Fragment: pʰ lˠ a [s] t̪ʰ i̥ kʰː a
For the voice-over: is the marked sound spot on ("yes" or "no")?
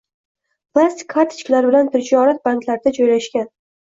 yes